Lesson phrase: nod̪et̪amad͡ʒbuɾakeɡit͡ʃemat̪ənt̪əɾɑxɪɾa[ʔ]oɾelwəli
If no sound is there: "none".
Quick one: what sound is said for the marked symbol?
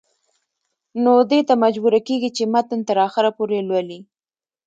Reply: p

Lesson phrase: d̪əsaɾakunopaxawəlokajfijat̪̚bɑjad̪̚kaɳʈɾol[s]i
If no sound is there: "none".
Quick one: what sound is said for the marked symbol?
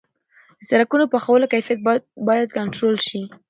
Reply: ʃ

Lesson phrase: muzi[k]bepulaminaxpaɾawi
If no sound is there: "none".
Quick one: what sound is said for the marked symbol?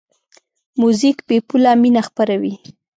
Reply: k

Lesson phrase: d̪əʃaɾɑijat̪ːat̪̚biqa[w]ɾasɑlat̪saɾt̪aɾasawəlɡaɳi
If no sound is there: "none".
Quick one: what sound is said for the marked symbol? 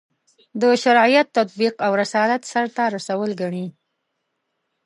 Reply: w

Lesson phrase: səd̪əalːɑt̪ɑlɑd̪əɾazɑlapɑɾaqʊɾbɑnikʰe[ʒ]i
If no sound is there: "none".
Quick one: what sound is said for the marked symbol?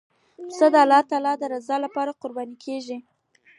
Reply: ʒ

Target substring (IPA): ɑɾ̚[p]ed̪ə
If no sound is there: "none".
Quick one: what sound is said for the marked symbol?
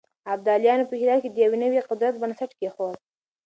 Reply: k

